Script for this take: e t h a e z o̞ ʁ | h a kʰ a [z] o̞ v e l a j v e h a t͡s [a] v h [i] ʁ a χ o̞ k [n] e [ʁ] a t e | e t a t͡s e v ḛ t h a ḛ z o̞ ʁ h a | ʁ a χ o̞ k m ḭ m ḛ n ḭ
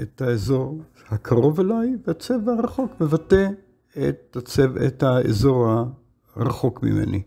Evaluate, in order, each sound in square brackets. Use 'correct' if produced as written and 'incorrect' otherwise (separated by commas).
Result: incorrect, incorrect, incorrect, incorrect, incorrect